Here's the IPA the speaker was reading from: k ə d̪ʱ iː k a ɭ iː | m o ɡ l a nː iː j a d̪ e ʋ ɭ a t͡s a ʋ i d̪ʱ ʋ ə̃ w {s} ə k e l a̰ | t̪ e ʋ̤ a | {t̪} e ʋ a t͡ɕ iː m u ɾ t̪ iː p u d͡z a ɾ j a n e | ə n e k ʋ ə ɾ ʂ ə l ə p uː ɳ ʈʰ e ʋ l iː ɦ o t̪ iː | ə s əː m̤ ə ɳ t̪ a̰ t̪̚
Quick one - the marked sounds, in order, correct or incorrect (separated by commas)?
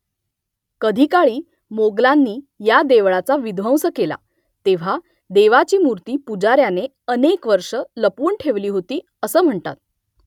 correct, incorrect